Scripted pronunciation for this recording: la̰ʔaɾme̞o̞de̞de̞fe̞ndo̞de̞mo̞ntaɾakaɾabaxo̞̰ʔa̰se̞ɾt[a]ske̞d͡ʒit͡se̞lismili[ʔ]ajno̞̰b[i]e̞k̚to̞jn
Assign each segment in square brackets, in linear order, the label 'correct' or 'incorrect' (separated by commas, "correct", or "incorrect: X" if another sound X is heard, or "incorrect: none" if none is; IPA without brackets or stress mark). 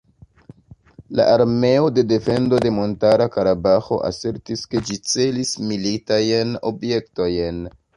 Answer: incorrect: i, incorrect: t, incorrect: j